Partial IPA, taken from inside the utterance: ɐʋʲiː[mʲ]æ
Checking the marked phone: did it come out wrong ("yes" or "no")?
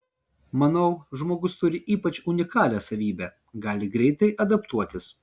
yes